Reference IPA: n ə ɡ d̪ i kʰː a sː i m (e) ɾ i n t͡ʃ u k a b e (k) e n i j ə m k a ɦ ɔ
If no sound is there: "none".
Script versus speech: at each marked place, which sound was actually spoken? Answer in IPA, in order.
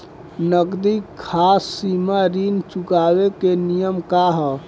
a, k

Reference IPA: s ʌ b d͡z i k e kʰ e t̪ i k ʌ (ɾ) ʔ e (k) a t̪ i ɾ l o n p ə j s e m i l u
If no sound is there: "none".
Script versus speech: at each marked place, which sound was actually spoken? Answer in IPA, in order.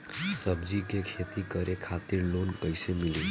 ɾ, kʰ

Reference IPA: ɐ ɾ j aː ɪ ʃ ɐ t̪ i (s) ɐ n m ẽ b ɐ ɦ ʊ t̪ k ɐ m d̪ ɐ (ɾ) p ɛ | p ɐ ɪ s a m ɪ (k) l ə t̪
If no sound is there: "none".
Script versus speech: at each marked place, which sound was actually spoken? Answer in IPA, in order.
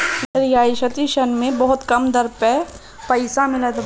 ʃ, ɾ, none

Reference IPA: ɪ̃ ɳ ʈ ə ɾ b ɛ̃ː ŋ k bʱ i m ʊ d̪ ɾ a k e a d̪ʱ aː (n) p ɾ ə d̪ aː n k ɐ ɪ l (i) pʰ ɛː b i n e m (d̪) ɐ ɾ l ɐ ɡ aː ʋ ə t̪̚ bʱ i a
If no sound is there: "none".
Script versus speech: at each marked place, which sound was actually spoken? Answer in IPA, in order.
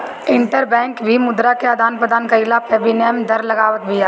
n, a, d̪

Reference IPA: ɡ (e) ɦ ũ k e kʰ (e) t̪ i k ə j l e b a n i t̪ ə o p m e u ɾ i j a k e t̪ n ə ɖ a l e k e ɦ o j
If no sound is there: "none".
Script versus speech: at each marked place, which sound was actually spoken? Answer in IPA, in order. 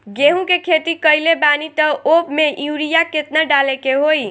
e, e

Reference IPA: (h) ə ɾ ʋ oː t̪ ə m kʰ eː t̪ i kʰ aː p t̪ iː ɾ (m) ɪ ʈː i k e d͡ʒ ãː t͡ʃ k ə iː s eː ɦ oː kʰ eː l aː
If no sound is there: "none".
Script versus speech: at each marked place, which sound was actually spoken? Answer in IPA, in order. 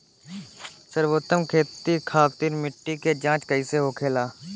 s, m

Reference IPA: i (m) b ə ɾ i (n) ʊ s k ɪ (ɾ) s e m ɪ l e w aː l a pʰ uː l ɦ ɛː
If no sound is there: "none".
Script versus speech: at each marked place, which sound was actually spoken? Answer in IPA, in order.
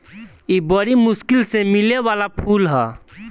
none, m, l

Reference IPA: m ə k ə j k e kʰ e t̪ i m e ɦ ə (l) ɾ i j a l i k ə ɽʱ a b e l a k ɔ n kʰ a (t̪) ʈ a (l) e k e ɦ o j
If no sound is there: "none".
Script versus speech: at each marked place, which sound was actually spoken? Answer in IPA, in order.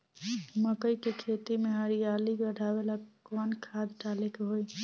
none, d̪, l

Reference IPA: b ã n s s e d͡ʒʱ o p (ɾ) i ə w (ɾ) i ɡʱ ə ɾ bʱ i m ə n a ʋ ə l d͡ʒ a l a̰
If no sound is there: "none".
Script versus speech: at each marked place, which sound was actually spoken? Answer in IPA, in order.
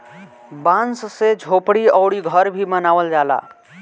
ɽ, ɽ

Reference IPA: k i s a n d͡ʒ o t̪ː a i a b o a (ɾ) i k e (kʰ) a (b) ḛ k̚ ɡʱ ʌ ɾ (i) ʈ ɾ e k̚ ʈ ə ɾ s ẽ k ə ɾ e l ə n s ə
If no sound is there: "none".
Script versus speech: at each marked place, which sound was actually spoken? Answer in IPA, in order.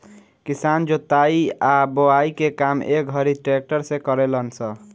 none, k, m, i

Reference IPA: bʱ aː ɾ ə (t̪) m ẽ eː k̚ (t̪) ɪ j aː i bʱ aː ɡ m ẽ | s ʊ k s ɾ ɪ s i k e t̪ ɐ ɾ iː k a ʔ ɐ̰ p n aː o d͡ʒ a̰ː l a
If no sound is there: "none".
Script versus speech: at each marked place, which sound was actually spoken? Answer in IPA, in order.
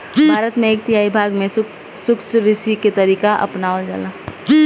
t̪, t̪

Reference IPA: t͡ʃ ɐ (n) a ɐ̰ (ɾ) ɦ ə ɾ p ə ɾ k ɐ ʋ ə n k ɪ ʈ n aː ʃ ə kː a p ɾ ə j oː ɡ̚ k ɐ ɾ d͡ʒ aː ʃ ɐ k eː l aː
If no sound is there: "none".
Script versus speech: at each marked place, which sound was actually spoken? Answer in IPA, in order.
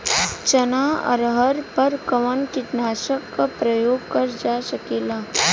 n, ɾ

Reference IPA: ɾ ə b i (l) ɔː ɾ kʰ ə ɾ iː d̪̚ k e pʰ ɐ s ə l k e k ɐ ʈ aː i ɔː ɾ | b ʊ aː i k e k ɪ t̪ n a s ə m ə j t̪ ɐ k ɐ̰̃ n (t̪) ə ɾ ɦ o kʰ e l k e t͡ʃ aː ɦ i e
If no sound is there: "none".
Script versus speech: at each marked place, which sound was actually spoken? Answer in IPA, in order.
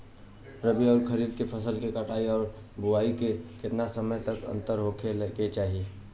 none, t̪

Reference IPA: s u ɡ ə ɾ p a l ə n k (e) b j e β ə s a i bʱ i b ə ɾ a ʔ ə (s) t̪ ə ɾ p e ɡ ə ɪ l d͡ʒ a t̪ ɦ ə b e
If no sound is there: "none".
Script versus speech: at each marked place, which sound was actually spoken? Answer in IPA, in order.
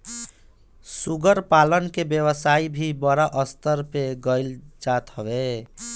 e, s

